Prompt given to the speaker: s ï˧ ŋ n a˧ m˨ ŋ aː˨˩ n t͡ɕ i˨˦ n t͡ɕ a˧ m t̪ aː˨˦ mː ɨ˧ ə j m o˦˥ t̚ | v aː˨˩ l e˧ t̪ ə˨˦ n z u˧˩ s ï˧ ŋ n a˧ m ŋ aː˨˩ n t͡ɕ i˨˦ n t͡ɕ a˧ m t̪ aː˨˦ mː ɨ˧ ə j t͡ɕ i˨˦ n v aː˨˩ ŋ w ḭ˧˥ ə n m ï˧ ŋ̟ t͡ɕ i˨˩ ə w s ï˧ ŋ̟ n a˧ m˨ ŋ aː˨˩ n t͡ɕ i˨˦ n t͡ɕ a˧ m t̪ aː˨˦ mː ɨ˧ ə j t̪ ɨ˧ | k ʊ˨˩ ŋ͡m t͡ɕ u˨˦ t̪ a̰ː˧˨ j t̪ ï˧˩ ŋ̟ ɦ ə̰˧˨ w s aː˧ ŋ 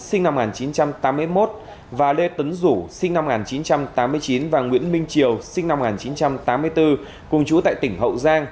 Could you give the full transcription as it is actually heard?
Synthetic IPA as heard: s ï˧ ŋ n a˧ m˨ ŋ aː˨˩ n t͡ɕ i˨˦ n t͡ɕ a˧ m t̪ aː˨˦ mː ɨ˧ ə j m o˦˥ t̚ | v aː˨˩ l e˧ t̪ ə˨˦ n z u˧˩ s ï˧ ŋ n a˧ m ŋ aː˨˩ n t͡ɕ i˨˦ n t͡ɕ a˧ m t̪ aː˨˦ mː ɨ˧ ə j t͡ɕ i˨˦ n v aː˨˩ ŋ w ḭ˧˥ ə n m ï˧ ŋ̟ t͡ɕ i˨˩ ə w s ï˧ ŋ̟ n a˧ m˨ ŋ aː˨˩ n t͡ɕ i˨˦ n t͡ɕ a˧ m t̪ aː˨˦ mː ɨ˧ ə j t̪ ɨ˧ | k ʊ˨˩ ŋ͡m t͡ɕ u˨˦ t̪ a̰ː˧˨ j t̪ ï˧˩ ŋ̟ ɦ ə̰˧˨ w z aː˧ ŋ